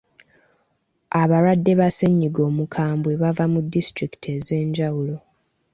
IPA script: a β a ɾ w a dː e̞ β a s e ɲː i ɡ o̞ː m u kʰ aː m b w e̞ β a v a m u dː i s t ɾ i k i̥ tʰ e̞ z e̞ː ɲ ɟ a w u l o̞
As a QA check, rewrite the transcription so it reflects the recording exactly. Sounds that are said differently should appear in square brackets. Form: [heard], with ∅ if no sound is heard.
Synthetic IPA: a β a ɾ w a dː e̞ β a s e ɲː i ɡ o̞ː m u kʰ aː m b w e̞ β a v a m u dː i s t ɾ i k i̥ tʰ e̞ z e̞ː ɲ ɟ a w u l o̞